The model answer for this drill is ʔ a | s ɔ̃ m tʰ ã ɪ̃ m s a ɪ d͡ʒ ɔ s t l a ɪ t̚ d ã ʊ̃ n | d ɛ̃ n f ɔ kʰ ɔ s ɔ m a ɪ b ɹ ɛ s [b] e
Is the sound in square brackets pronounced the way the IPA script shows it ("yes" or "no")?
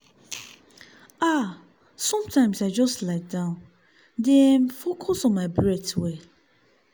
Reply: no